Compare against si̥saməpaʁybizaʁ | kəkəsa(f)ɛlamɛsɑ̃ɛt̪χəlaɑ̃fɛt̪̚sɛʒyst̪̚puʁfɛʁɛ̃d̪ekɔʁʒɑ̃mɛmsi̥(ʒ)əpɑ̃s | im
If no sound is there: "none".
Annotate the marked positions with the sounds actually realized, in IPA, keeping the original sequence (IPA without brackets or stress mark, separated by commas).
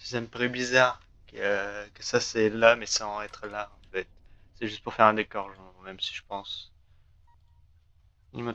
s, ʒ